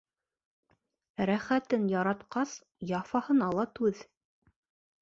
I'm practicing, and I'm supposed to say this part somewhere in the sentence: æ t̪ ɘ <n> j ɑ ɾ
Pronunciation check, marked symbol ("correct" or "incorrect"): correct